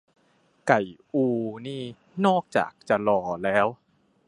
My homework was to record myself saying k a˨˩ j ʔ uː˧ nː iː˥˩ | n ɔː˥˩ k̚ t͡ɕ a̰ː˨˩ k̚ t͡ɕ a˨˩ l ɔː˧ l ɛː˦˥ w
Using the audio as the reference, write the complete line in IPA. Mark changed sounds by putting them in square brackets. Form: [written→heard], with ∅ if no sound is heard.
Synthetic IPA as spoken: k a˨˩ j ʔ uː˧ [nː→n] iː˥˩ | n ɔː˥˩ k̚ t͡ɕ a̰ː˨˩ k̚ t͡ɕ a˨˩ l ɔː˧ l ɛː˦˥ w